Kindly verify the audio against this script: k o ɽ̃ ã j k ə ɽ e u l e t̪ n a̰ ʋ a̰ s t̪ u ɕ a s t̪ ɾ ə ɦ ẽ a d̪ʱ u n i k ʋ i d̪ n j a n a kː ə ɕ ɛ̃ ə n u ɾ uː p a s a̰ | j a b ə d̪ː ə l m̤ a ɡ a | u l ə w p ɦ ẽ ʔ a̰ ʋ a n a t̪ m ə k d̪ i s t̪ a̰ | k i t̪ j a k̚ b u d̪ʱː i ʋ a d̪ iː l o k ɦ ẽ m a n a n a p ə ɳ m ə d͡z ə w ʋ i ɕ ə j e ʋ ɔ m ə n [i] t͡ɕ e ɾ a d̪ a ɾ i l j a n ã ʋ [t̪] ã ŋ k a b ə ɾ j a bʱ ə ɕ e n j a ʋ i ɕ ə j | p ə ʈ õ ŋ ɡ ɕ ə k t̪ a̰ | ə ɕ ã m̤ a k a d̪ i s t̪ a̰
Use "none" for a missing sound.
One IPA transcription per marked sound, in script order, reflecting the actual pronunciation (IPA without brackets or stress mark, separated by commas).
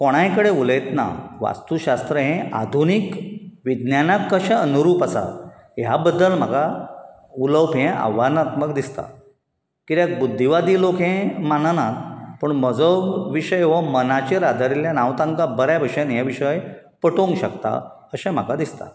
a, t̪